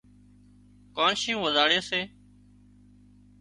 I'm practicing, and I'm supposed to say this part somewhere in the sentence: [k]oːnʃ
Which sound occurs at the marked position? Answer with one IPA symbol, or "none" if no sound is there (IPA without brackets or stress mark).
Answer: k